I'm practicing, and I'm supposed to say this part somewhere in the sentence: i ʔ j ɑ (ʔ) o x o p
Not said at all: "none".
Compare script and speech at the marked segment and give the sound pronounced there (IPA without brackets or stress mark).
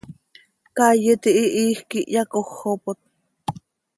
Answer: k